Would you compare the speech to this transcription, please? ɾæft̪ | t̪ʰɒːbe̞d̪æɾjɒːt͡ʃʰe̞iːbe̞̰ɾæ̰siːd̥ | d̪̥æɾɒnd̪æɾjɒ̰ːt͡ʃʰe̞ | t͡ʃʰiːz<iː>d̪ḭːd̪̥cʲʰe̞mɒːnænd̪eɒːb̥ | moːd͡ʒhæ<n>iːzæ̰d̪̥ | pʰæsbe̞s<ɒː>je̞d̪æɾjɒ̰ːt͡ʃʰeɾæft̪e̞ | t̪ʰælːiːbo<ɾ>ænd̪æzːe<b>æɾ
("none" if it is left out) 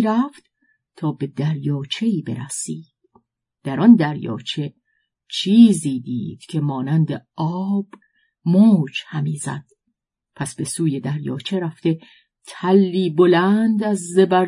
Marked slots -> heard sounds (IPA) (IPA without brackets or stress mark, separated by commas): iː, m, uː, l, b